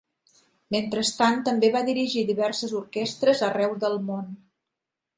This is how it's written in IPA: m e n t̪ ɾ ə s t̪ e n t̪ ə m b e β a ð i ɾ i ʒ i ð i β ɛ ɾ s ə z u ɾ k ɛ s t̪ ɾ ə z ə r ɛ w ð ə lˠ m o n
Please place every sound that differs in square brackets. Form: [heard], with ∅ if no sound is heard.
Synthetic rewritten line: m e n t̪ ɾ ə s t̪ [a] n t̪ ə m b e β a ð i ɾ i ʒ i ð i β ɛ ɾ s ə z u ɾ k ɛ s t̪ ɾ ə z ə r ɛ w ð ə lˠ m o n